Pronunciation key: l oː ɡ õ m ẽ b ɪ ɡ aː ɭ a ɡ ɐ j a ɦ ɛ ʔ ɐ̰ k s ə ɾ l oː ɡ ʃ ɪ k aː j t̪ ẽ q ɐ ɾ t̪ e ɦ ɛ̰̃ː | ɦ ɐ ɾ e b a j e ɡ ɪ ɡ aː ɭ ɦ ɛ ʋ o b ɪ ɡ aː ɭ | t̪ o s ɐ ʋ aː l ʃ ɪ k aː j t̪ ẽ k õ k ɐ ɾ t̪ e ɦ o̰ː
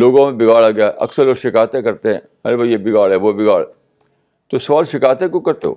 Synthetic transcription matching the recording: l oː ɡ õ m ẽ b ɪ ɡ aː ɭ a ɡ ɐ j a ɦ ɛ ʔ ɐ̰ k s ə ɾ l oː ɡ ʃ ɪ k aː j t̪ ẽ k ɐ ɾ t̪ e ɦ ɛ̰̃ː | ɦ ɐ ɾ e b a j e b ɪ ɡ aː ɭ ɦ ɛ ʋ o b ɪ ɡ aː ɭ | t̪ o s ɐ ʋ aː l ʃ ɪ k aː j t̪ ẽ k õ k ɐ ɾ t̪ e ɦ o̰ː